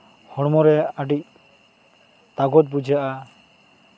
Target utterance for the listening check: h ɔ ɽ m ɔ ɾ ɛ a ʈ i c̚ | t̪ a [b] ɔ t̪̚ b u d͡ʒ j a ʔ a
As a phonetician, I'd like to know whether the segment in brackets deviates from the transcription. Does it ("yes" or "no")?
yes